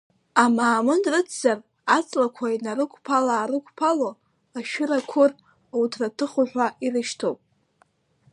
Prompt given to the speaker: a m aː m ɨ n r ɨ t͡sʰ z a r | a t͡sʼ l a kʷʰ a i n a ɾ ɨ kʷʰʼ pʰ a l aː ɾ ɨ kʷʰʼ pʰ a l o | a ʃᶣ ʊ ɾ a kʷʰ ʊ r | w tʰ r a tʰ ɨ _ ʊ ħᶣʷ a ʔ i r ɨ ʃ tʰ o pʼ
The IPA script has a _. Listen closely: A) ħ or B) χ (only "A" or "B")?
B